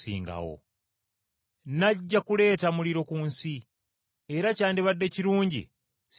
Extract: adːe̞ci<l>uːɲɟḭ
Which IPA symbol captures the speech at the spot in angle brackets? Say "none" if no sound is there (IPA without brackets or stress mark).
ɾ